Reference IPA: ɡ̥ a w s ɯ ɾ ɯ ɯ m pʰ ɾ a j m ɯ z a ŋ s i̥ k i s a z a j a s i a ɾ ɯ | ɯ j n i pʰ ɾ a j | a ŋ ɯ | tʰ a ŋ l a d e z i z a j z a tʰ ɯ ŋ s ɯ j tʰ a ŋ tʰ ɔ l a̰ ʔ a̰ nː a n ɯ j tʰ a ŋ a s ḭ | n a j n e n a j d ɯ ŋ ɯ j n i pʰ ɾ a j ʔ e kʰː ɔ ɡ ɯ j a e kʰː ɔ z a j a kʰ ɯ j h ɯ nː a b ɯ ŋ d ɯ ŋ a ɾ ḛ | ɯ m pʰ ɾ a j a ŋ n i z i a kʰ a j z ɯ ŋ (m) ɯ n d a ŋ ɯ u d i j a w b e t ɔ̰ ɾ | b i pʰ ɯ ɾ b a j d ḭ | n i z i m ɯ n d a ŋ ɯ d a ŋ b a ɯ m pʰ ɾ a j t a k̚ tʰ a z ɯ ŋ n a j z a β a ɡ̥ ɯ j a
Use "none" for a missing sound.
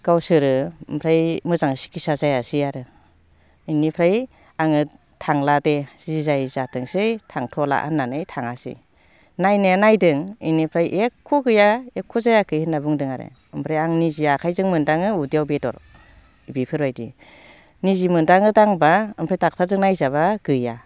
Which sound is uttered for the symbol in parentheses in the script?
m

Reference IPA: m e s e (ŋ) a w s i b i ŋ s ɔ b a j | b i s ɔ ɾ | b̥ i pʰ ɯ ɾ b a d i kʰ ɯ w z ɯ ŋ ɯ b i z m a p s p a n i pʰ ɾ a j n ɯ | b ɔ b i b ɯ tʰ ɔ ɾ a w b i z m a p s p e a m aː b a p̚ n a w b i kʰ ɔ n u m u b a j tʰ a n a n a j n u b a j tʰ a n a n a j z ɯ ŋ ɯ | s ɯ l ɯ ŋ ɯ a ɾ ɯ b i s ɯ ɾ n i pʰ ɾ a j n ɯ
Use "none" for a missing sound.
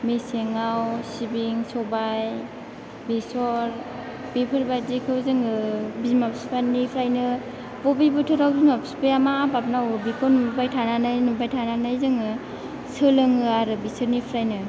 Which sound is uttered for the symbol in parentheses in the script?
ŋ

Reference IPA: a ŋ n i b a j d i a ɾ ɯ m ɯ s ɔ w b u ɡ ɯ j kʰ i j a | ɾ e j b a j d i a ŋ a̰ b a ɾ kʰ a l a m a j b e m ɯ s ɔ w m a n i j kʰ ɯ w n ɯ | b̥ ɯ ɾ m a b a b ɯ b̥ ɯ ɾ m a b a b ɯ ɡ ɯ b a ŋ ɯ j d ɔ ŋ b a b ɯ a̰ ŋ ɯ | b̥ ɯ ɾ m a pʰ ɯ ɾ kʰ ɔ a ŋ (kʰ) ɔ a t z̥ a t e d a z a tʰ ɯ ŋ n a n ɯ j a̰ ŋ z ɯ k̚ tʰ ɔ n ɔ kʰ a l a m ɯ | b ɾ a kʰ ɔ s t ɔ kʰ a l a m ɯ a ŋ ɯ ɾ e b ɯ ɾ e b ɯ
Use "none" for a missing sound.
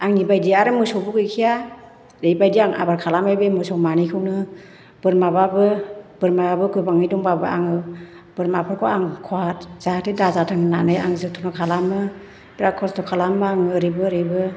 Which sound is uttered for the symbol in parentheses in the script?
kʰ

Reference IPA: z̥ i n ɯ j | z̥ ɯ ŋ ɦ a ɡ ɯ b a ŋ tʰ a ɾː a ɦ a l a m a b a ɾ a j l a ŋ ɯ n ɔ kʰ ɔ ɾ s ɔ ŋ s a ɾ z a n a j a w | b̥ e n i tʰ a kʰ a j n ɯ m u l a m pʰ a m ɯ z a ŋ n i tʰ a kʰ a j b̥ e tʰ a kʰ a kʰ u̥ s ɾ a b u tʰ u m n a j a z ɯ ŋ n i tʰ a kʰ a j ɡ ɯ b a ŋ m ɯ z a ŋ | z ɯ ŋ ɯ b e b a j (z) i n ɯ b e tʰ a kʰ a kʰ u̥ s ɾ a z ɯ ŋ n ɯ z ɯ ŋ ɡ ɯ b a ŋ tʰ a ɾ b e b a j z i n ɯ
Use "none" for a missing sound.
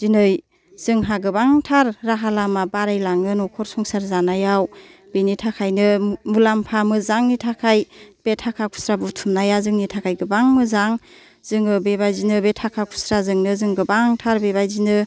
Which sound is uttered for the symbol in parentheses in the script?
z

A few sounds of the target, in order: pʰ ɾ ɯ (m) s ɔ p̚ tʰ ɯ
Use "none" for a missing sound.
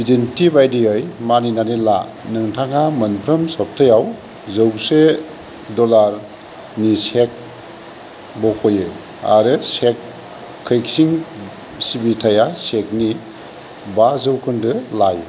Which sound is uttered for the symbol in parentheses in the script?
m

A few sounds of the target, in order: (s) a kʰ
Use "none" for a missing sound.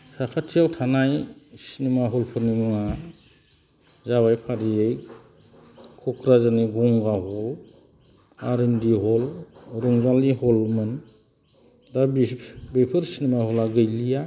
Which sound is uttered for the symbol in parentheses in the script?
s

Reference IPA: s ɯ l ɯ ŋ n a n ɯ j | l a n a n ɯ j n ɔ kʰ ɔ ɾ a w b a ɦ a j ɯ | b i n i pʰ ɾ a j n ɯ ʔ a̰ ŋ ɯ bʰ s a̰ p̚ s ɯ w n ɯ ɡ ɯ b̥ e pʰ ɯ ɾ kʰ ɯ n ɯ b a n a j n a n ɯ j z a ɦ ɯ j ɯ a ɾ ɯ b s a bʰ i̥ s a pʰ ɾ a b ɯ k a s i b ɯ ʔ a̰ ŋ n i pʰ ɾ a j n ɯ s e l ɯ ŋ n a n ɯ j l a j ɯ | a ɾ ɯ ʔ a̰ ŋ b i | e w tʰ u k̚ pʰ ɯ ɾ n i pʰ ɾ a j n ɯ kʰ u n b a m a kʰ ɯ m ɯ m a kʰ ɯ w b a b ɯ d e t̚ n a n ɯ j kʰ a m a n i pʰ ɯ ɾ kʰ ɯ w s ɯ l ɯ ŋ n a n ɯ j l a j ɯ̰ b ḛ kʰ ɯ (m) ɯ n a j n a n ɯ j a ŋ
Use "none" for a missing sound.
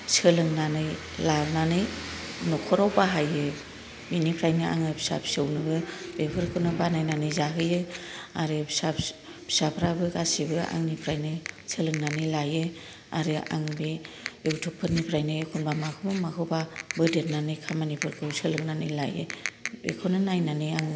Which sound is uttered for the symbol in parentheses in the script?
n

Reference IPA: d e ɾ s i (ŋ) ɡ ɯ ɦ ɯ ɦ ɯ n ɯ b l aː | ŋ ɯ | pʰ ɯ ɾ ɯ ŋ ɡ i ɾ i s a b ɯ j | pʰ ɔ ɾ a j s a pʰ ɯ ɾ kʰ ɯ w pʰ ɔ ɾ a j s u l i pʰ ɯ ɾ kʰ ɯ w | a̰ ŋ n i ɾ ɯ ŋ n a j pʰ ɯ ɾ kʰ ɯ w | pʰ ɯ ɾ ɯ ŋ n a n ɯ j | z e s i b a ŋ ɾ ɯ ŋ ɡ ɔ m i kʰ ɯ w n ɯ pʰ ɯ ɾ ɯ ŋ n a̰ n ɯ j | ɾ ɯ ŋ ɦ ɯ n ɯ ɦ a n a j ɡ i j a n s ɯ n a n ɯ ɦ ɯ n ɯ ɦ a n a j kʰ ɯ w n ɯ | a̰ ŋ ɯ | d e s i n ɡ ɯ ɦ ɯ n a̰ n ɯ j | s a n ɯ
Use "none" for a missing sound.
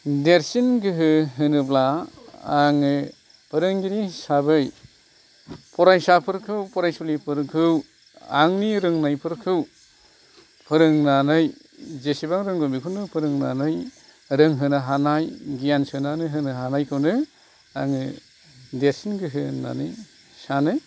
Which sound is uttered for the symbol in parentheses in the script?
n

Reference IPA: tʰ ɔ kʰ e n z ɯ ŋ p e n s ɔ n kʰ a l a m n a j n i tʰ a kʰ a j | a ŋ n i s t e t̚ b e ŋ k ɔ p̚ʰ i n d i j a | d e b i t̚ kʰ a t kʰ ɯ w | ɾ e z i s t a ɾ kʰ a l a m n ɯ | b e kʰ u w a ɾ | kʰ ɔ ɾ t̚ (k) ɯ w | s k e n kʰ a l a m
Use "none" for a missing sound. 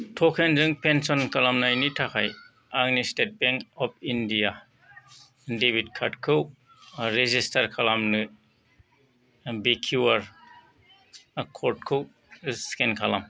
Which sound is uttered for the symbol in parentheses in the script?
kʰ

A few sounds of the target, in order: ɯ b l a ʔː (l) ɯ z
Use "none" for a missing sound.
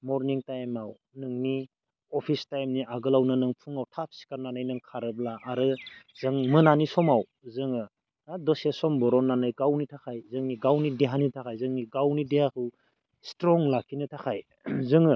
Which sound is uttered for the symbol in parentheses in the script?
ɾ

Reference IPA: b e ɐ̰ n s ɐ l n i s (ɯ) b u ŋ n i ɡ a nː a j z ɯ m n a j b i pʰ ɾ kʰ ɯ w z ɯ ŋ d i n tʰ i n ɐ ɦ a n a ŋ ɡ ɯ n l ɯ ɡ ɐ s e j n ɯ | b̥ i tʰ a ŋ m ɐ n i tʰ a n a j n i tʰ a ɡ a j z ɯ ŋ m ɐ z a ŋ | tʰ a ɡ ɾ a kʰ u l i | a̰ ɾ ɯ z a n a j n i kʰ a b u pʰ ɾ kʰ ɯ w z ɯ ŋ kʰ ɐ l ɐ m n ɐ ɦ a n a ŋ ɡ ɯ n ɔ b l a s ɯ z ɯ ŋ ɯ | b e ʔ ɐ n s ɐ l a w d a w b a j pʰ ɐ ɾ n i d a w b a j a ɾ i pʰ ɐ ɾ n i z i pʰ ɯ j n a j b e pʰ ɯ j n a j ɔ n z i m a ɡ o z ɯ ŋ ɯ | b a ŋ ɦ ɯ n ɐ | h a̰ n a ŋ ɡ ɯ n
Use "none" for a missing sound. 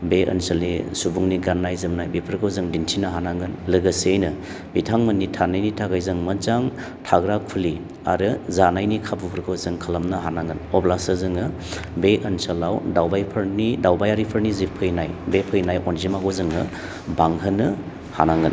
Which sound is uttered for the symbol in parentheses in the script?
u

